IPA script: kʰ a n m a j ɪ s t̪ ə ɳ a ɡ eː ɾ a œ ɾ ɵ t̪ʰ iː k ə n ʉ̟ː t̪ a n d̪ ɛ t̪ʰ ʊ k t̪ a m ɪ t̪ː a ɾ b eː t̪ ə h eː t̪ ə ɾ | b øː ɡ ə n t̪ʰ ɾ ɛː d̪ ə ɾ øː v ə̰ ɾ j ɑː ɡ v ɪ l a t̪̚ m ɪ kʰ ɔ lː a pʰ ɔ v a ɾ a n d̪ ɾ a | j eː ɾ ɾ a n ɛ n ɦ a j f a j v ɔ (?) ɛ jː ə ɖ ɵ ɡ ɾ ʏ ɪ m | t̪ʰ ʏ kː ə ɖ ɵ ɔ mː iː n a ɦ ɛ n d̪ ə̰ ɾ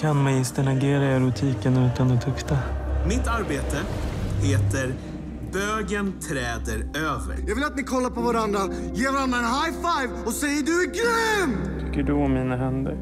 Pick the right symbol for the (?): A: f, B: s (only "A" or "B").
B